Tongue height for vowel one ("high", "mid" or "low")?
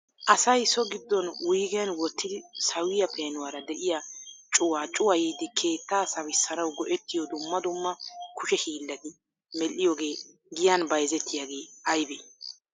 low